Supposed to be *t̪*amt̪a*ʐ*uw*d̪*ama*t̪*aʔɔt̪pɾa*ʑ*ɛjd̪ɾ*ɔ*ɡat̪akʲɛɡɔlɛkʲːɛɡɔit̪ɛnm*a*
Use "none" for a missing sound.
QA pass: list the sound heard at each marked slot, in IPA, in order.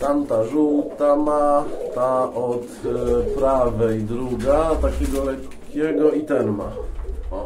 t̪, ʐ, t̪, t̪, v, u, a

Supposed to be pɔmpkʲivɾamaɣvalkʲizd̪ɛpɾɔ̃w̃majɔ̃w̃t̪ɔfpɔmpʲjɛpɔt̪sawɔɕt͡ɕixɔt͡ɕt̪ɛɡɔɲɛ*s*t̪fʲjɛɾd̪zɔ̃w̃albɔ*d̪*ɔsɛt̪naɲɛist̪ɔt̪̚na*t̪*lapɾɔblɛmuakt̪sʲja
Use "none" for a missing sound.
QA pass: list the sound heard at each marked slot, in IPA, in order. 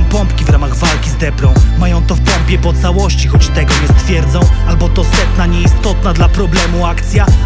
s, t̪, d̪

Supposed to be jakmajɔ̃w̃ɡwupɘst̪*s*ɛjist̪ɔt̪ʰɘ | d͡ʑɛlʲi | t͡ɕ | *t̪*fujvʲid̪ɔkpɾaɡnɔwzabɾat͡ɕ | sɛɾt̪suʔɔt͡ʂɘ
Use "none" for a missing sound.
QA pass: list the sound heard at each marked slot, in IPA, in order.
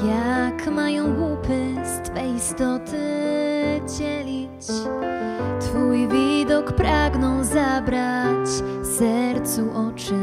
f, t̪

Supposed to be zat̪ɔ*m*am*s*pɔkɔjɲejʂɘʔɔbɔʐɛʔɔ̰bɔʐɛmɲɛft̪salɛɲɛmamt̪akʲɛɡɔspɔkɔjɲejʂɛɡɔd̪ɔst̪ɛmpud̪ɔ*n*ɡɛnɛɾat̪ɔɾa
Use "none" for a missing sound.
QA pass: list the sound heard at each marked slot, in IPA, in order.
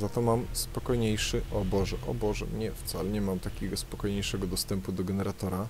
m, s, none

